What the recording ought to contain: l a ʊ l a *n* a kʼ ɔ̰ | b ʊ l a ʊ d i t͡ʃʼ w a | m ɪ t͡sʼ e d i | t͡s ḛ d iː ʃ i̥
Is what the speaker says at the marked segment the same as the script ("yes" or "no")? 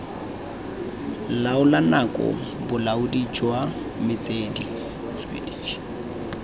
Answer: yes